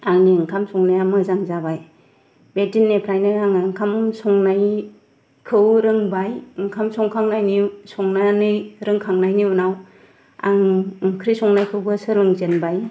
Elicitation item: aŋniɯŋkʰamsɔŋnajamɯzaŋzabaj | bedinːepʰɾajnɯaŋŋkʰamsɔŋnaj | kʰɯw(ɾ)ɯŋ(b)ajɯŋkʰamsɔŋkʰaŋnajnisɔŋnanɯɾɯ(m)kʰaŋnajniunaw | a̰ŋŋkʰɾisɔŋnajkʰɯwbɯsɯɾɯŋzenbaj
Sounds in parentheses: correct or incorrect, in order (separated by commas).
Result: correct, correct, incorrect